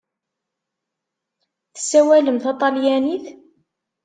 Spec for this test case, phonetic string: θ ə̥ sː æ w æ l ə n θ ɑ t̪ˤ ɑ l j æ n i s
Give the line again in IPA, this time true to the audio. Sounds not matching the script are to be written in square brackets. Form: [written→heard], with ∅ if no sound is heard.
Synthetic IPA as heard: θ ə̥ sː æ w æ l ə [n→m] θ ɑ t̪ˤ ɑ l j æ n i [s→θ]

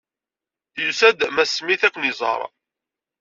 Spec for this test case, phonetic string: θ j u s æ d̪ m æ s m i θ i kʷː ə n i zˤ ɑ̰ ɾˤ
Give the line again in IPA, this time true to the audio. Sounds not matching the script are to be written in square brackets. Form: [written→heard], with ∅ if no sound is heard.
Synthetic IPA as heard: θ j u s æ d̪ m æ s m i θ [i→æ] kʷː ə n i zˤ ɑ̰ ɾˤ

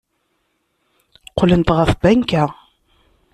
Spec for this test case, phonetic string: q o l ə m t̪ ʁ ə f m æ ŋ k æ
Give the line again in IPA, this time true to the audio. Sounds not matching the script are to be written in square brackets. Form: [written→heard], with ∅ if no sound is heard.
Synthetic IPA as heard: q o l ə [m→n] t̪ ʁ ə f [m→b] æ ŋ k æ

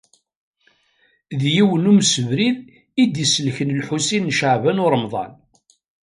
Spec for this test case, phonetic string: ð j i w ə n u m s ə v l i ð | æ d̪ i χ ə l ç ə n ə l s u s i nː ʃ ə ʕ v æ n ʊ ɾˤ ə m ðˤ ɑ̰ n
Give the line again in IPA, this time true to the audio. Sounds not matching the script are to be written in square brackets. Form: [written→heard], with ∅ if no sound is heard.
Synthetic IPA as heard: ð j i w ə n u m s ə v [l→ɾ] i ð | [æ→i] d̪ i [χ→s] ə l ç ə n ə l [s→ħ] u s i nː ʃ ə ʕ v æ n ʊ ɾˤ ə m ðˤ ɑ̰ n

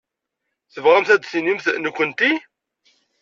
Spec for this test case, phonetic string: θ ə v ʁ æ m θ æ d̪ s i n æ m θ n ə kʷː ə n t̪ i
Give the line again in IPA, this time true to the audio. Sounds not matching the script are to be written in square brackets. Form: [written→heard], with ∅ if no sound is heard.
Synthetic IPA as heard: θ ə v ʁ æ m θ æ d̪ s i n [æ→i] m θ n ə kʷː ə n t̪ i

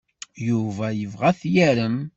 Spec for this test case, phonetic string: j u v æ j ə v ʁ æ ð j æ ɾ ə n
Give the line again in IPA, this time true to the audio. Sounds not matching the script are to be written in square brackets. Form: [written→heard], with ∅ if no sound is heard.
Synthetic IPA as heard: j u v æ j ə v ʁ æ [ð→θ] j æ ɾ ə [n→m]

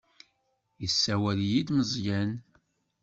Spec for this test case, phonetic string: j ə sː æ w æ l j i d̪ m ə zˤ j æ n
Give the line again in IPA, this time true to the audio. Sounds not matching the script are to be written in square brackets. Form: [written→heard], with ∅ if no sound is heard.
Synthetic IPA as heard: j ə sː æ w æ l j i d̪ m ə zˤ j æ n

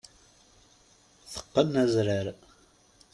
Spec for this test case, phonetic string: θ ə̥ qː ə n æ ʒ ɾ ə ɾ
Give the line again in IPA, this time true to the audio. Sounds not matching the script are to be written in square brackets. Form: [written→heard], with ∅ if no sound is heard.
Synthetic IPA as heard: θ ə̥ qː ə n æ [ʒ→z] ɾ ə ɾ

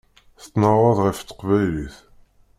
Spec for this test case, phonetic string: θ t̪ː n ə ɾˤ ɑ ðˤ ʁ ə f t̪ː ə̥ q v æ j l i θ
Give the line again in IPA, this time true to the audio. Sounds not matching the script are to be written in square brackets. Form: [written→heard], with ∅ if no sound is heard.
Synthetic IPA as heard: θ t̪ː n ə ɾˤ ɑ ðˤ ʁ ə f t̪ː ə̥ q v æ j l i θ

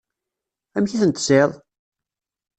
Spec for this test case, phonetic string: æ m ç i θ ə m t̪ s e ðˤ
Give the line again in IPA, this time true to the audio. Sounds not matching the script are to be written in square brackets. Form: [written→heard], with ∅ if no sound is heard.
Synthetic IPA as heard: æ m ç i θ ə [m→n] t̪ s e ðˤ

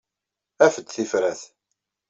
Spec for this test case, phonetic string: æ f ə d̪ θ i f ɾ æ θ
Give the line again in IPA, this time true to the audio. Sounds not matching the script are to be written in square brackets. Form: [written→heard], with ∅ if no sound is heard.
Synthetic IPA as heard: æ f ə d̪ θ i f ɾ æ θ

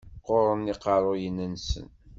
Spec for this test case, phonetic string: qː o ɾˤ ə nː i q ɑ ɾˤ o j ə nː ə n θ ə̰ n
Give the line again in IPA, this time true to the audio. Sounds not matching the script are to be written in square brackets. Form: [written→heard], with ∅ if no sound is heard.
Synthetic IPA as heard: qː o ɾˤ ə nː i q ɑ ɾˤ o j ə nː ə n [θ→s] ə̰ n

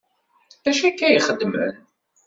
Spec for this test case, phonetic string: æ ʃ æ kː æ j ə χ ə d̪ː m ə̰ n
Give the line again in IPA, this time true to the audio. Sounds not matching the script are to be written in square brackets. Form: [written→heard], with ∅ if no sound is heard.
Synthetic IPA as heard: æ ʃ æ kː æ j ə χ ə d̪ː m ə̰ n

